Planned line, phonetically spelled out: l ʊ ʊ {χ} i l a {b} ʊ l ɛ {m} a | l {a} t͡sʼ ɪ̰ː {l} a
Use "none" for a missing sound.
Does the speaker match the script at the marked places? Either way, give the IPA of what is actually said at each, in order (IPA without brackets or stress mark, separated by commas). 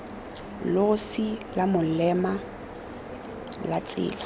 s, m, m, a, l